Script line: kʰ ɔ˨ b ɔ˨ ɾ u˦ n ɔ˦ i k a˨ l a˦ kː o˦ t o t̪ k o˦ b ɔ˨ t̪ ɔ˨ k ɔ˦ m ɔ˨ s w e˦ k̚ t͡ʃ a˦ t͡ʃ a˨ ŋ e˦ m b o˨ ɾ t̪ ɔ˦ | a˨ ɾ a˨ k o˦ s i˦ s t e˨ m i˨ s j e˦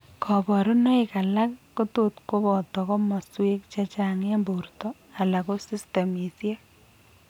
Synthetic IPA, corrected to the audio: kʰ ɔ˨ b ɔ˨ ɾ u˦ n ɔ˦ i k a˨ l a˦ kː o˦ t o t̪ k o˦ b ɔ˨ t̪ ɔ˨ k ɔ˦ m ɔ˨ s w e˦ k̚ t͡ʃ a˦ t͡ʃ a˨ ŋ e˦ m b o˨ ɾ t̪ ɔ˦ | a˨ l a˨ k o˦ s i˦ s t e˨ m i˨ s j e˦